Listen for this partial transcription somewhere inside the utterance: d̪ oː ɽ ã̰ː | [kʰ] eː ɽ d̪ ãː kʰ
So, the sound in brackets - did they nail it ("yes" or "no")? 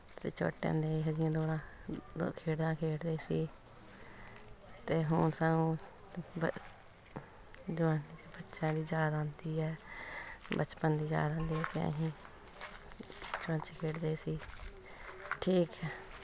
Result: yes